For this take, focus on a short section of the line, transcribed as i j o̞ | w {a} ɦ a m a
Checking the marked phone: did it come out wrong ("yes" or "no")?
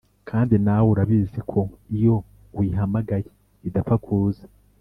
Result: yes